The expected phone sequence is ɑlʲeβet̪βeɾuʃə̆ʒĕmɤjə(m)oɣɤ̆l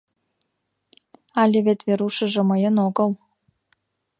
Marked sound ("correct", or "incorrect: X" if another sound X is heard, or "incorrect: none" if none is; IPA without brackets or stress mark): incorrect: n